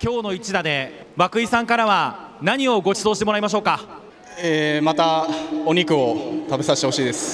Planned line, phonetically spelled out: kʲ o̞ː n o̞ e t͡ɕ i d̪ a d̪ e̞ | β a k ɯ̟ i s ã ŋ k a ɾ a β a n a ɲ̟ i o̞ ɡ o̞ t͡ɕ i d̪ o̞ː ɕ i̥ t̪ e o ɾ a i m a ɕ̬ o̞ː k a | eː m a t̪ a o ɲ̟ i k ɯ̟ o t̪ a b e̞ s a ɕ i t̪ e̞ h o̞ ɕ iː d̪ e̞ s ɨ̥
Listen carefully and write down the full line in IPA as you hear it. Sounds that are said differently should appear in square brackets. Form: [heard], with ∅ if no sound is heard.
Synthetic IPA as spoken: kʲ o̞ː n o̞ [i] t͡ɕ i d̪ a d̪ e̞ | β a k ɯ̟ i s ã ŋ k a ɾ a β a n a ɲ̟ i o̞ ɡ o̞ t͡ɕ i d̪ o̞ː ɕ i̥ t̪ e o ɾ a i m a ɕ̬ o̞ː k a | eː m a t̪ a o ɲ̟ i k ɯ̟ o t̪ a b e̞ s a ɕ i t̪ e̞ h o̞ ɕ iː d̪ e̞ s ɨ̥